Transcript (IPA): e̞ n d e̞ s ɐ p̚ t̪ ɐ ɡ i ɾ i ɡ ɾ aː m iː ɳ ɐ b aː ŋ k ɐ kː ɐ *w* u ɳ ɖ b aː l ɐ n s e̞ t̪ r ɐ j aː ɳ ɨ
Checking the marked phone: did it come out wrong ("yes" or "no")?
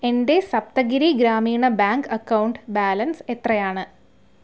no